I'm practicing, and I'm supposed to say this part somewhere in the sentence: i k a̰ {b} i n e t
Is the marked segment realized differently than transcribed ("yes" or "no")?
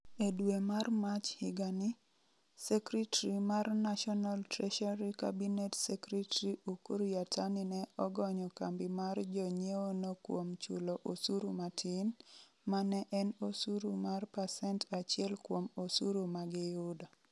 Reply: no